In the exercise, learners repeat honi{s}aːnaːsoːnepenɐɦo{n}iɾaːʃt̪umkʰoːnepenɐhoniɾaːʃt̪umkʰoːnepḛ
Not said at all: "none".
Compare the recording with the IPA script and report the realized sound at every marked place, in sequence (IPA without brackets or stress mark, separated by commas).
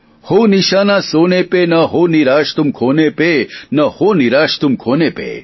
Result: ʃ, n